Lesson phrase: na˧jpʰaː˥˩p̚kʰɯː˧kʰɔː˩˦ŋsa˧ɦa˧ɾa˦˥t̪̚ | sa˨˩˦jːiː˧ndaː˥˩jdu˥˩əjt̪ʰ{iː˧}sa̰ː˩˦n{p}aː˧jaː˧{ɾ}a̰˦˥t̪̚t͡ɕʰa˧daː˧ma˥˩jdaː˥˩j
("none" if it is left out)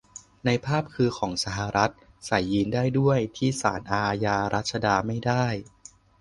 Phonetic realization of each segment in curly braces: iː˥˩, ʔ, ɾ

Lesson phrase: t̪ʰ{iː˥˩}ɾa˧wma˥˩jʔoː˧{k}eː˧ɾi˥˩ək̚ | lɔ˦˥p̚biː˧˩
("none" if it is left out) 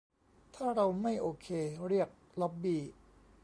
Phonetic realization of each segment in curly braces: aː˥˩, kʰ

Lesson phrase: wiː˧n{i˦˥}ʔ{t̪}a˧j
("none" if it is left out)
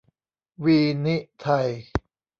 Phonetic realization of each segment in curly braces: i˦˥, t̪ʰ

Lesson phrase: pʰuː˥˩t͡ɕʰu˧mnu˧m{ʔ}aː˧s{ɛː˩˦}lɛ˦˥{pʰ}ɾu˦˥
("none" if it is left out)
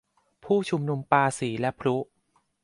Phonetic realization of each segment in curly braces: p, iː˩˦, pʰ

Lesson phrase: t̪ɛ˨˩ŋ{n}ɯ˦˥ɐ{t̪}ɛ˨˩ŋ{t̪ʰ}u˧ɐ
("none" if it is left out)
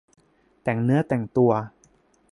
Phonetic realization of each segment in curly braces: n, t̪, t̪

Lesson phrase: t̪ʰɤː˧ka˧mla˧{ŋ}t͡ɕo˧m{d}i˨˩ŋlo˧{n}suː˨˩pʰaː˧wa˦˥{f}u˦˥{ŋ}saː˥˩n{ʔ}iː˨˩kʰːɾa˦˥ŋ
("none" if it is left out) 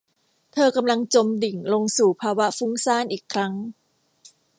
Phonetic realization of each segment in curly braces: ŋ, d, ŋ, f, ŋ, ʔ

